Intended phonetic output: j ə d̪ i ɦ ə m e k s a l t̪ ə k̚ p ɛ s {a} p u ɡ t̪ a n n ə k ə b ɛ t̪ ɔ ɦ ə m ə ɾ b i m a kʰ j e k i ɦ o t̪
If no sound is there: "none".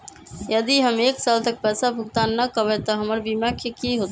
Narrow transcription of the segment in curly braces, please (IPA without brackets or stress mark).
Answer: a